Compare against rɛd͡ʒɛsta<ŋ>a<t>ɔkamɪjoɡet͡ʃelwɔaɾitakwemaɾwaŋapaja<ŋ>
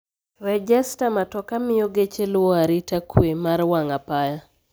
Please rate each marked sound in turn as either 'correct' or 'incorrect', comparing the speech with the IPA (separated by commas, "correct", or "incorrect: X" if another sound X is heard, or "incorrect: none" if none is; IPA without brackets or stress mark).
incorrect: m, correct, incorrect: none